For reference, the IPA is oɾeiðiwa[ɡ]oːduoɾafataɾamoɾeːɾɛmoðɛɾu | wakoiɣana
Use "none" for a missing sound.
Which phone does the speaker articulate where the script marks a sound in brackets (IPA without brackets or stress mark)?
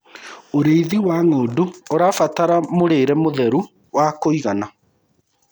ŋ